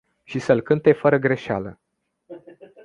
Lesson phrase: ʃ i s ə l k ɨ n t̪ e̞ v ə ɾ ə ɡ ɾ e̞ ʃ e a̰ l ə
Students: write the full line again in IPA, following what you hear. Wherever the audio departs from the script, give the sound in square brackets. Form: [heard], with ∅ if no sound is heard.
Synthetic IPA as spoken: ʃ i s ə l k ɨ n t̪ e̞ [f] ə ɾ ə ɡ ɾ e̞ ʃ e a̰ l ə

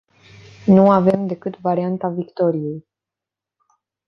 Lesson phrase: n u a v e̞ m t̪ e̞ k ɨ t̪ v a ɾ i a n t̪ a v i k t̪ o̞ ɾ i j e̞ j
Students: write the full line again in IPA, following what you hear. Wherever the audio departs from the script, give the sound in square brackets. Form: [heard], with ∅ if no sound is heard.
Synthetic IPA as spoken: n u a v e̞ m [d̪] e̞ k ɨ t̪ v a ɾ i a n t̪ a v i k t̪ o̞ ɾ i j e̞ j

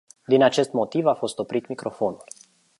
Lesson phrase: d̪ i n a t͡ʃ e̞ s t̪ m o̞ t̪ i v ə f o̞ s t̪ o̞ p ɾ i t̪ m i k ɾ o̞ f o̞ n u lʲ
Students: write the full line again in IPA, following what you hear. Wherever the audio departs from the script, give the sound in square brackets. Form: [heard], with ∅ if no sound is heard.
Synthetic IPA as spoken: d̪ i n a t͡ʃ e̞ s t̪ m o̞ t̪ i v [a] f o̞ s t̪ o̞ p ɾ i t̪ m i k ɾ o̞ f o̞ n u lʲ

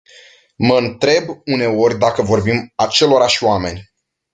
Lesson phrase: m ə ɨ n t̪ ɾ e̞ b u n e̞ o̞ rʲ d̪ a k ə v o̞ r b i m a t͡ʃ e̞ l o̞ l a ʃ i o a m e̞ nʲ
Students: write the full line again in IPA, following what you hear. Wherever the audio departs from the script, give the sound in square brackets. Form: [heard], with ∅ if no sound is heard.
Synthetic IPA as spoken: m ə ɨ n t̪ ɾ e̞ b u n e̞ o̞ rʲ d̪ a k ə v o̞ r b i m a t͡ʃ e̞ l o̞ [ɾ] a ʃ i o a m e̞ nʲ

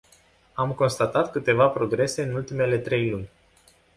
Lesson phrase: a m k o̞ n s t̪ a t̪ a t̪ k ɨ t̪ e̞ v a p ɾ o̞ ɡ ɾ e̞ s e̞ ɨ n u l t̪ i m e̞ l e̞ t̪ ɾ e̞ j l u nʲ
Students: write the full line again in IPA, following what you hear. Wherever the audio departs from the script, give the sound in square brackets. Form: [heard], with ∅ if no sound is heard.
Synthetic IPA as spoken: a m k o̞ n s t̪ a t̪ a t̪ k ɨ t̪ e̞ v a p ɾ o̞ ɡ ɾ e̞ s e̞ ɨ n u l t̪ i m e̞ l e̞ t̪ ɾ e̞ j l u nʲ

